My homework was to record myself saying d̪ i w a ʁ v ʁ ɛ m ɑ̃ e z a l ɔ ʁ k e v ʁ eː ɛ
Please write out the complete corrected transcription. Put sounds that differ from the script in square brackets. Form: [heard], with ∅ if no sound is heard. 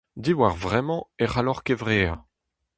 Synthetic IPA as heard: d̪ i w a ʁ v ʁ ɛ m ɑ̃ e [ʁ] a l ɔ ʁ k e v ʁ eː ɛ